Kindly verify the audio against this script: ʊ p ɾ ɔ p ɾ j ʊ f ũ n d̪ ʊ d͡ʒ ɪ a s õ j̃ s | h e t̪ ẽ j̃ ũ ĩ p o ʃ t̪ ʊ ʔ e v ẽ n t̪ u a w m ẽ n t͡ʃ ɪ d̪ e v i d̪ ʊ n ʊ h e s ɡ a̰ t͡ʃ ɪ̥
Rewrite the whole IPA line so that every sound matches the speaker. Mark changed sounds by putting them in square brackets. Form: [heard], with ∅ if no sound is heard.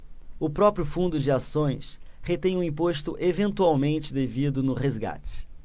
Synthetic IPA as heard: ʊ p ɾ ɔ p ɾ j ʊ f ũ n d̪ ʊ d͡ʒ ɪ a s õ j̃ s | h e t̪ ẽ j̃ ũ ĩ p o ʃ t̪ ʊ ʔ e v ẽ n t̪ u a w m ẽ n t͡ʃ ɪ d̪ e v i d̪ ʊ n ʊ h e [z] ɡ a̰ t͡ʃ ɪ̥

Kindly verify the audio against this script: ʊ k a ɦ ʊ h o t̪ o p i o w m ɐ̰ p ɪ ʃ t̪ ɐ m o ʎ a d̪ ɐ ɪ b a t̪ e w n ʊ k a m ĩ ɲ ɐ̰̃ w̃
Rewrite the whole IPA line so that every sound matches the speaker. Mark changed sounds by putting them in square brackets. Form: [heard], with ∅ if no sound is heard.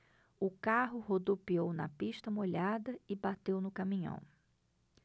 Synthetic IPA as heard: ʊ k a ɦ ʊ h o [d̪] o p i o w [n] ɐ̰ p [i] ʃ t̪ ɐ m o ʎ a d̪ ɐ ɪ b a t̪ e w n ʊ k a m ĩ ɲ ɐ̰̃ w̃

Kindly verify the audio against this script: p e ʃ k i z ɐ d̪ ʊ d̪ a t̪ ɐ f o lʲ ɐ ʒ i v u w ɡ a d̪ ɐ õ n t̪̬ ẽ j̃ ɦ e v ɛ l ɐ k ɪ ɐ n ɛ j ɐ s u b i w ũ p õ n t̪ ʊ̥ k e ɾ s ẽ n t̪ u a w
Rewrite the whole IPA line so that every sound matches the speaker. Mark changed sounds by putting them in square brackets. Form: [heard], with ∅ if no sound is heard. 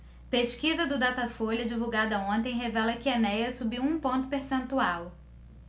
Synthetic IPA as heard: p e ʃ k i z ɐ d̪ ʊ d̪ a t̪ ɐ f o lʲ ɐ [d͡ʒ] i v u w ɡ a d̪ ɐ õ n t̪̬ ẽ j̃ ɦ e v ɛ l ɐ k ɪ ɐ n ɛ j ɐ s u b i w ũ p õ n t̪ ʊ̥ [p] e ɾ s ẽ n t̪ u a w

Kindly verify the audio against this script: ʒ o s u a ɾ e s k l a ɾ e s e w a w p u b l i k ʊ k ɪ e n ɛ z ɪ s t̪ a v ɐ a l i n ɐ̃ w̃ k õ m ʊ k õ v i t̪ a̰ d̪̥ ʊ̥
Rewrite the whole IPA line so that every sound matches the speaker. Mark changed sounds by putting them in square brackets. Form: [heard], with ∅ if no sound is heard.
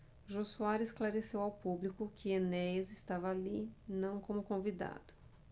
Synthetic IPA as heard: ʒ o s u a ɾ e s k l a ɾ e s e w a w p u b l i k ʊ k ɪ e n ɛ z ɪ s t̪ a v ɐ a l i n ɐ̃ w̃ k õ m ʊ k õ v i [d̪] a̰ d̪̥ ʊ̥

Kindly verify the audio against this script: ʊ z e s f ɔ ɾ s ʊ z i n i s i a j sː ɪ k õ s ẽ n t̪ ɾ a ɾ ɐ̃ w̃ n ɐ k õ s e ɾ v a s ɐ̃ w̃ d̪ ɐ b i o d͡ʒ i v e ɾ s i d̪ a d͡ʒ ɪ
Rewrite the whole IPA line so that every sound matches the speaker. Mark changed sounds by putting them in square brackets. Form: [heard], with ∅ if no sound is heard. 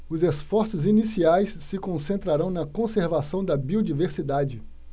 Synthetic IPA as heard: ʊ z e s f ɔ ɾ s ʊ z i n i s i a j sː ɪ k õ s ẽ n t̪ ɾ a ɾ ɐ̃ w̃ n ɐ k õ s e ɾ v a s ɐ̃ w̃ d̪ ɐ b i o d͡ʒ i v e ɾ s i d̪ a d͡ʒ ɪ

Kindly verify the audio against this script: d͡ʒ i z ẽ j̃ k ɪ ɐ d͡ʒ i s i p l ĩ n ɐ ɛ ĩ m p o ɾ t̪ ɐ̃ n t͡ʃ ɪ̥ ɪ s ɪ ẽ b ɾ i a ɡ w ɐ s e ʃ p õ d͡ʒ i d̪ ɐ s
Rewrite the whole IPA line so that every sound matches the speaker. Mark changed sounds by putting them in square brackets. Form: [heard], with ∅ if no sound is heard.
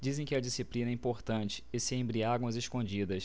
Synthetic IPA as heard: d͡ʒ i z ẽ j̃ k ɪ ɐ d͡ʒ i s i p l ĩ n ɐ ɛ ĩ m p o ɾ t̪ ɐ̃ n t͡ʃ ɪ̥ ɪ s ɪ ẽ b ɾ i a ɡ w ɐ [z] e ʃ [k] õ d͡ʒ i d̪ ɐ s

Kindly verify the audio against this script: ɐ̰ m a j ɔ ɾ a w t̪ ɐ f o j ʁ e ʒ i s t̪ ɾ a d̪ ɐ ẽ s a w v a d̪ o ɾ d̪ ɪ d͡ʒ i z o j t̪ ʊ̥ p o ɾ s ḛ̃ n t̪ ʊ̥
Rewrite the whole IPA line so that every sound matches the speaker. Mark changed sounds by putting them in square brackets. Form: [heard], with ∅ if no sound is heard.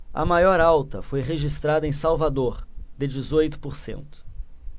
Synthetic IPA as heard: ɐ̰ m a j ɔ ɾ a w t̪ ɐ f o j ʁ e ʒ i s t̪ ɾ a d̪ ɐ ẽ s a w v a d̪ o ɾ d̪ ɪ d͡ʒ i z o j t̪ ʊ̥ p o ɾ s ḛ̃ n t̪ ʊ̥

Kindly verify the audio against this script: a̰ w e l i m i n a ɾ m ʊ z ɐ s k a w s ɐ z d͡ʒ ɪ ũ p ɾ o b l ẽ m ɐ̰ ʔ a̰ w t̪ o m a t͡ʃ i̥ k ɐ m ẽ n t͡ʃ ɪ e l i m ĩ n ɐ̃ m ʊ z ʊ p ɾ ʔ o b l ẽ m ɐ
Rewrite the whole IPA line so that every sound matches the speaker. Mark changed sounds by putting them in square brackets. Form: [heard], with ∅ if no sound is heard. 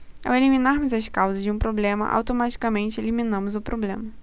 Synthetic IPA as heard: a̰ w e l i m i n a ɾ m ʊ z ɐ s k a w [z] ɐ z d͡ʒ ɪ ũ p ɾ o b l ẽ m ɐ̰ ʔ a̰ w t̪ o m a t͡ʃ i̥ k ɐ m ẽ n t͡ʃ ɪ e l i m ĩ n ɐ̃ m ʊ z ʊ p ɾ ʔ o b l ẽ m ɐ

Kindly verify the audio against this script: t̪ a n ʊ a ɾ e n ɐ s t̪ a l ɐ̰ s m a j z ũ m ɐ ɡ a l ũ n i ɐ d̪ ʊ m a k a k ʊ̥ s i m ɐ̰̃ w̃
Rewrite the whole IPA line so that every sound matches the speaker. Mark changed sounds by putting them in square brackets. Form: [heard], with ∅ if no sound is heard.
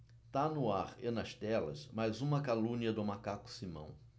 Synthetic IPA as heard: t̪ a n ʊ a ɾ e n ɐ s t̪ [ɛ] l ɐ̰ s m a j z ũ m ɐ [k] a l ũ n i ɐ d̪ ʊ m a k a k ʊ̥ s i m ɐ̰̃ w̃

